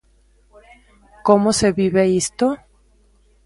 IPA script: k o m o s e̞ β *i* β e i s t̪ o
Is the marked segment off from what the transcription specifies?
no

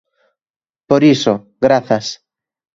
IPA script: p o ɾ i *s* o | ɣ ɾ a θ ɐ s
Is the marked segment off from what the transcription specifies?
no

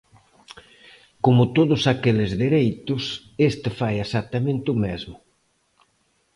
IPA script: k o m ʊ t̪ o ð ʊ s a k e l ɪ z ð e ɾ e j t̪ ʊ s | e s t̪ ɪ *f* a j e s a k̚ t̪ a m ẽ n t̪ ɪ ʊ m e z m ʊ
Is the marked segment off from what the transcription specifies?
no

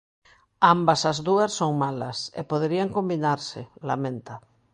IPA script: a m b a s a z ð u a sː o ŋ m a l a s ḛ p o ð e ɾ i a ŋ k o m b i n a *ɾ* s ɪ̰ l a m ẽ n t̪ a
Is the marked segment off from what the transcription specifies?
no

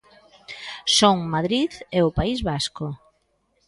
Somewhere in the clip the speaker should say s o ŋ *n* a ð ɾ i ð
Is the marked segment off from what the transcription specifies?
yes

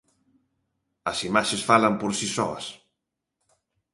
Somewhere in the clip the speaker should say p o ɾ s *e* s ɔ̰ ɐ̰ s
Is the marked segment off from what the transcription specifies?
yes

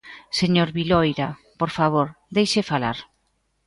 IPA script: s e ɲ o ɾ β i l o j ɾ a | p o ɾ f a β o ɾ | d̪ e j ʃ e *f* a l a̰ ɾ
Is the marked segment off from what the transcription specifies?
no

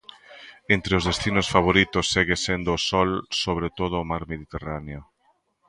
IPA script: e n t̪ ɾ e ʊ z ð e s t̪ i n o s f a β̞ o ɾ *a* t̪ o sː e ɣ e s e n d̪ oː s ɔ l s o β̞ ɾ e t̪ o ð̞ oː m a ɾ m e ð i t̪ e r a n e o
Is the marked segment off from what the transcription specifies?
yes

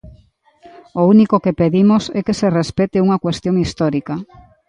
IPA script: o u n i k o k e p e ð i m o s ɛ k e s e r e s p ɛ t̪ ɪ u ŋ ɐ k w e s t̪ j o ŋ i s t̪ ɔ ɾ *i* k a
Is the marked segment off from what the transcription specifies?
no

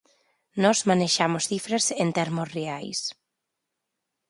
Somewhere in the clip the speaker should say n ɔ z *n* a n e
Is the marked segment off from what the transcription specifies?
yes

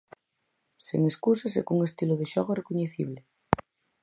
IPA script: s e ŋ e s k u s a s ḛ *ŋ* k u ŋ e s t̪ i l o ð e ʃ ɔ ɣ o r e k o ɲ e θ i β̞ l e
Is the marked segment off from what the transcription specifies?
yes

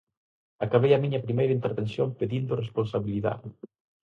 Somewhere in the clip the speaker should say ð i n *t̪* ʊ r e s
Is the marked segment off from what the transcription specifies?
yes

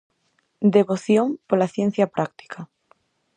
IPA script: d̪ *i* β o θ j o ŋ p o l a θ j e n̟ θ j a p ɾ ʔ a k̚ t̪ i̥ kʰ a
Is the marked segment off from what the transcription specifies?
yes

